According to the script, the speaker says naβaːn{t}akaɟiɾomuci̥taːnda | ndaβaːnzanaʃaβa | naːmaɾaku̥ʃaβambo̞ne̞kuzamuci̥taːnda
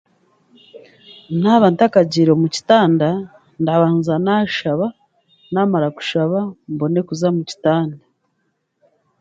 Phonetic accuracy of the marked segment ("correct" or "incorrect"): correct